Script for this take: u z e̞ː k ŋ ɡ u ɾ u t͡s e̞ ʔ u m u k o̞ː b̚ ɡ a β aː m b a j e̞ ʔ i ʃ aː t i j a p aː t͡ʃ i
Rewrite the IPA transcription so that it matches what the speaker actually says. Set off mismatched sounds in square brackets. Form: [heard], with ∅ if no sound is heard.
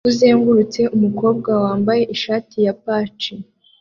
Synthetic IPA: u z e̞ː [∅] ŋ ɡ u ɾ u t͡s e̞ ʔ u m u k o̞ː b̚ ɡ a [w] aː m b a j e̞ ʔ i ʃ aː t i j a p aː t͡ʃ i